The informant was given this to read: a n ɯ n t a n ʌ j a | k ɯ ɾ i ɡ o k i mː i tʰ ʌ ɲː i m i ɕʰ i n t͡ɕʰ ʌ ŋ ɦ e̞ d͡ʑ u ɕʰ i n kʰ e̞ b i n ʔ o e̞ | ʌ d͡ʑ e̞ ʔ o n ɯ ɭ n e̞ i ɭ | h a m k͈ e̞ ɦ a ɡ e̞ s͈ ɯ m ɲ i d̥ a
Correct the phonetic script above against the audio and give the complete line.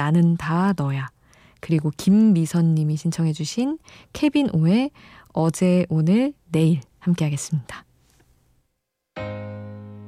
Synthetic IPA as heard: a n ɯ n t a n ʌ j a | k ɯ ɾ i ɡ o k i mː i sʰ ʌ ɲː i m i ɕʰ i n t͡ɕʰ ʌ ŋ ɦ e̞ d͡ʑ u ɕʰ i n kʰ e̞ b i n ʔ o e̞ | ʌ d͡ʑ e̞ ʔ o n ɯ ɭ n e̞ i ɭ | h a m k͈ e̞ ɦ a ɡ e̞ s͈ ɯ m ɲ i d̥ a